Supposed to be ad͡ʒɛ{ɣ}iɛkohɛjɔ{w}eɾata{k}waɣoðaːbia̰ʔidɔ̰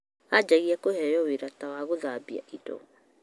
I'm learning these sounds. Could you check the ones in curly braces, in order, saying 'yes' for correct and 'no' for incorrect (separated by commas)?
yes, yes, no